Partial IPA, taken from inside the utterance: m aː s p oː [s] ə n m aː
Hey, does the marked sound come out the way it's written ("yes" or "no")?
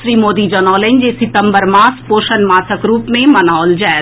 no